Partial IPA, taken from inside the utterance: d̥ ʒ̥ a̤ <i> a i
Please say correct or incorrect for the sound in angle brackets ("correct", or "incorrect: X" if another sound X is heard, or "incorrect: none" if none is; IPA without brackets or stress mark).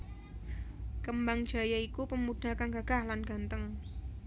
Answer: incorrect: j